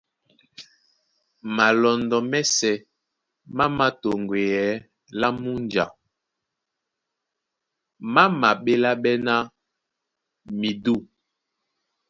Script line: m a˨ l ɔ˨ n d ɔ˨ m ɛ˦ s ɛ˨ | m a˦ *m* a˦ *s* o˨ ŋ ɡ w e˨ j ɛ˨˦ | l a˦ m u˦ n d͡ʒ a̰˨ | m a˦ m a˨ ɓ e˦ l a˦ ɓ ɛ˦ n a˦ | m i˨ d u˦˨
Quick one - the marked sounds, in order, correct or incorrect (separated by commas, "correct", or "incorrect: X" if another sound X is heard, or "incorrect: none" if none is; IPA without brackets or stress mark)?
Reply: correct, incorrect: t